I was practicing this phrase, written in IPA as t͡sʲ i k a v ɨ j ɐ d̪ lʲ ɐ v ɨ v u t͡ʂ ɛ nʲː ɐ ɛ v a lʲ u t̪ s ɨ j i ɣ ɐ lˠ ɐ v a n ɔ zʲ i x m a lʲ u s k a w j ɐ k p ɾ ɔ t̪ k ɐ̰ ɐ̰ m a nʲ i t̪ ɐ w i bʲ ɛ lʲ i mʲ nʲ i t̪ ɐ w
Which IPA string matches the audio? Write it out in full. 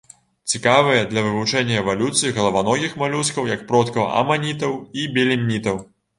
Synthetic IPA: t͡sʲ i k a v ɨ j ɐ d̪ lʲ ɐ v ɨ v u t͡ʂ ɛ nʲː ɐ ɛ v a lʲ u t̪ s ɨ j i ɣ ɐ lˠ ɐ v a n ɔ ɣʲ i x m a lʲ u s k ɐ w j ɐ k p ɾ ɔ t̪ k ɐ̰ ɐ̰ m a nʲ i t̪ ɐ w i bʲ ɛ lʲ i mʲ nʲ i t̪ ɐ w